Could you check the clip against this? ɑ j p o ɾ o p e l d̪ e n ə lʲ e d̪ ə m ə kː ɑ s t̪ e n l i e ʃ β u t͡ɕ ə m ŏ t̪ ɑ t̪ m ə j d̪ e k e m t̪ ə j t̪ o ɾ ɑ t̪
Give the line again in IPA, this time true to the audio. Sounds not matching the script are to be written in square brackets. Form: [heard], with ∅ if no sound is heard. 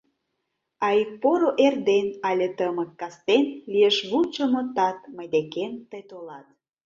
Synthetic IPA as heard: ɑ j p o ɾ o [ʔ] e [r] d̪ e n [ɑ] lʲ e [t̪] ə m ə kː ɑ s t̪ e n l i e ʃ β u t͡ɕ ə m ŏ t̪ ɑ t̪ m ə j d̪ e k e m t̪ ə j t̪ o [l] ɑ t̪